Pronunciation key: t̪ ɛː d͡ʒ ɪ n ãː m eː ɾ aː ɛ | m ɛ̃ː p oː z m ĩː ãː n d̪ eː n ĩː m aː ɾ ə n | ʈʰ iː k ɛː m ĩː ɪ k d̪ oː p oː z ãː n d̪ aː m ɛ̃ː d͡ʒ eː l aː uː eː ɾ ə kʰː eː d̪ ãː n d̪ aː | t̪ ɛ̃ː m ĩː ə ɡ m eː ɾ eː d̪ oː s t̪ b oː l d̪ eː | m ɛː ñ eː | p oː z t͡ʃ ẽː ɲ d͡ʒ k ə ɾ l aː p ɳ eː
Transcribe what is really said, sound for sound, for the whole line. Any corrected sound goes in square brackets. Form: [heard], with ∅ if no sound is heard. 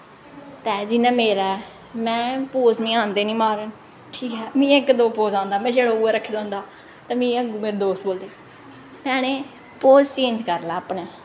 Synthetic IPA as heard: t̪ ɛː d͡ʒ ɪ n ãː m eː ɾ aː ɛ | m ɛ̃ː p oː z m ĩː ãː n d̪ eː n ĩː m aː ɾ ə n | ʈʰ iː k ɛː m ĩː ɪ k d̪ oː p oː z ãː n d̪ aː m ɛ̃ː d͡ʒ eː [ɽ] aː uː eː ɾ ə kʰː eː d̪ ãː n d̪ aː | t̪ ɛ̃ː m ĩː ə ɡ m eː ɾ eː d̪ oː s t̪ b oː l d̪ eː | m ɛː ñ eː | p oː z t͡ʃ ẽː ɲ d͡ʒ k ə ɾ l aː p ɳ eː